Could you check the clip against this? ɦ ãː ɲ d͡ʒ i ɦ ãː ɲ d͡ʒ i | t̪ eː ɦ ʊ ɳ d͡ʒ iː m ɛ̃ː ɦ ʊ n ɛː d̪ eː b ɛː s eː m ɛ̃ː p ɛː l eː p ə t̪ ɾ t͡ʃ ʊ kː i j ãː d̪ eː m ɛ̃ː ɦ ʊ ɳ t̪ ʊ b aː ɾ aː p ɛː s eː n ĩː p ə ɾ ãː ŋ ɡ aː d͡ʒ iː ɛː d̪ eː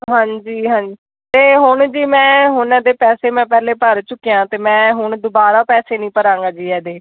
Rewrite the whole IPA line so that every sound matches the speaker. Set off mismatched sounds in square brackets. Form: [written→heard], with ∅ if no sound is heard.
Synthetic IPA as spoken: ɦ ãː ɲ d͡ʒ [i→iː] ɦ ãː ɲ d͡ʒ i | t̪ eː ɦ ʊ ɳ d͡ʒ iː m ɛ̃ː ɦ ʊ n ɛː d̪ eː [b→p] ɛː s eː m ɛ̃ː p ɛː l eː p ə [t̪→∅] ɾ t͡ʃ ʊ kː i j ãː [d̪→t̪] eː m ɛ̃ː ɦ ʊ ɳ [t̪→d̪] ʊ b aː ɾ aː p ɛː s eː n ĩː p ə ɾ ãː ŋ ɡ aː d͡ʒ iː ɛː d̪ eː